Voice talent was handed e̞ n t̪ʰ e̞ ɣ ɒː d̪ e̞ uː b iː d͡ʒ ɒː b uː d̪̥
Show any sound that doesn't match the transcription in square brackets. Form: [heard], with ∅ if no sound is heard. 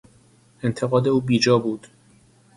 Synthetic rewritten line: e̞ n t̪ʰ e̞ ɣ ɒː d̪ e̞ uː b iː d͡ʒ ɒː b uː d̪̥